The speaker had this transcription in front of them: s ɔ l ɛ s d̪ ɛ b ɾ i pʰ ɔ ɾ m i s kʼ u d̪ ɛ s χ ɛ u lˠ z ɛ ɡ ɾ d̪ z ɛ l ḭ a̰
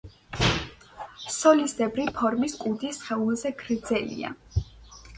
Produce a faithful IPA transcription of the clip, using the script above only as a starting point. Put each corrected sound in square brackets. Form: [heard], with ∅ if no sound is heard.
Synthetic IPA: s ɔ l [i] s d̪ ɛ b ɾ i pʰ ɔ ɾ m i s kʼ u d̪ [i] s χ ɛ u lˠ z ɛ ɡ ɾ d̪ z ɛ l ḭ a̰